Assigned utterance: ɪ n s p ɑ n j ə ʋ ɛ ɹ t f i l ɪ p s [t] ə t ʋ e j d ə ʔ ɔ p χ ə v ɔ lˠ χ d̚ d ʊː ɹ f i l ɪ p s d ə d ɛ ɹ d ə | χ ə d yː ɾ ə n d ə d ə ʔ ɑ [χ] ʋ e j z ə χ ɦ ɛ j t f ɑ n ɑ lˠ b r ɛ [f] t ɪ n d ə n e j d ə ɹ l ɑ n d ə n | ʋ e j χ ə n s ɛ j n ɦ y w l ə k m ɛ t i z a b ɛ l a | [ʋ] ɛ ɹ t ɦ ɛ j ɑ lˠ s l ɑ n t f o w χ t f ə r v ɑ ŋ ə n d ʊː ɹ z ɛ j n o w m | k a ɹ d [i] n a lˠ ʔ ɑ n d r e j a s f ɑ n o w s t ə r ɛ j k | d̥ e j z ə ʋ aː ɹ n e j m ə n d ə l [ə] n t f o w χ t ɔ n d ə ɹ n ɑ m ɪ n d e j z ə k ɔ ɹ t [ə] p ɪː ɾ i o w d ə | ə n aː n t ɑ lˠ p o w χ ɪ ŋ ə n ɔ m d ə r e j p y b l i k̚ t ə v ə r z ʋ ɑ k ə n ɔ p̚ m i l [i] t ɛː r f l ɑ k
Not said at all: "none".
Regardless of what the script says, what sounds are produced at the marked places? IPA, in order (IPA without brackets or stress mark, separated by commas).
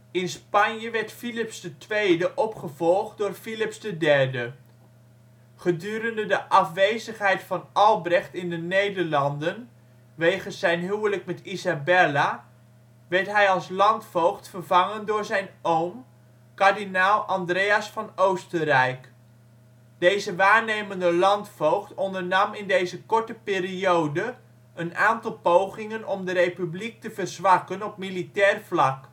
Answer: d, f, χ, ʋ, i, ɑ, ə, i